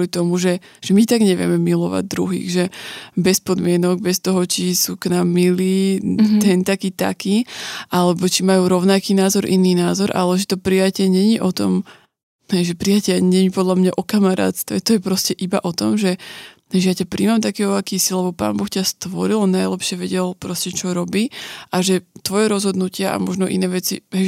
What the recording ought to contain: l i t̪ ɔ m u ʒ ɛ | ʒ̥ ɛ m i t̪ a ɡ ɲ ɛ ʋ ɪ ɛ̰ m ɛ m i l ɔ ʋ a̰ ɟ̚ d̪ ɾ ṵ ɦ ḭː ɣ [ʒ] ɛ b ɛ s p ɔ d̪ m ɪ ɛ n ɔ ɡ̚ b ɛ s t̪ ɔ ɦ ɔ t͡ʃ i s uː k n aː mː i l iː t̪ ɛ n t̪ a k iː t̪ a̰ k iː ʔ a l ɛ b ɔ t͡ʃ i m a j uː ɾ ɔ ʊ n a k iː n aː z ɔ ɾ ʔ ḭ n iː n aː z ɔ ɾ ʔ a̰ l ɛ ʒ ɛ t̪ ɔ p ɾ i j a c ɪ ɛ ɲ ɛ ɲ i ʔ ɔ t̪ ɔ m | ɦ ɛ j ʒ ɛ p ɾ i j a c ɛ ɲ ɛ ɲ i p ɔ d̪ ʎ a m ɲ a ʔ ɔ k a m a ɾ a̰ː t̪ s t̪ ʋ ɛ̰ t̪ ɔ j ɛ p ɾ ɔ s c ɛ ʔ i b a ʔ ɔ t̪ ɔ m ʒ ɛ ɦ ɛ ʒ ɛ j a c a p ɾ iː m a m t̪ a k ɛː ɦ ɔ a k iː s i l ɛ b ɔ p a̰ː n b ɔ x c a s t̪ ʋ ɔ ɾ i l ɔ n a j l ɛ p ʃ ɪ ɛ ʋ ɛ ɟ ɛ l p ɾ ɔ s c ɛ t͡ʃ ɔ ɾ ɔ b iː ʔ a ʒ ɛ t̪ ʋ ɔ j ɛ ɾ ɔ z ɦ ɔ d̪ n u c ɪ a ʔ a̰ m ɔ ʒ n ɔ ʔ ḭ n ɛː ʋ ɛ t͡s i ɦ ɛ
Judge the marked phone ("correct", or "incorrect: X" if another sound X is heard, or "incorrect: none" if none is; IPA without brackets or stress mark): correct